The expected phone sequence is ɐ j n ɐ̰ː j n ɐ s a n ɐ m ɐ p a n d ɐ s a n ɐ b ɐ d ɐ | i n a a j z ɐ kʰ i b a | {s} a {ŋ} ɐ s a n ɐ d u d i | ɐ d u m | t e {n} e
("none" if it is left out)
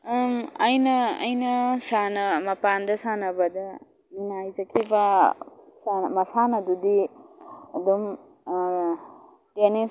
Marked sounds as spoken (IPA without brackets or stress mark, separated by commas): s, m, n